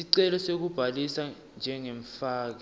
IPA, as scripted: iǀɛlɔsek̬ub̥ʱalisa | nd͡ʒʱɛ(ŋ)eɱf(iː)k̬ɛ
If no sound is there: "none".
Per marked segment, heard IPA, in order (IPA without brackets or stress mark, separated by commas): ŋ, aː